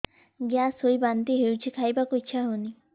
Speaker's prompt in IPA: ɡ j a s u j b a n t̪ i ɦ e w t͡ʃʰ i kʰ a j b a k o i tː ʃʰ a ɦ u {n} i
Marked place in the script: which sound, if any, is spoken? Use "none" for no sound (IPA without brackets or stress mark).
n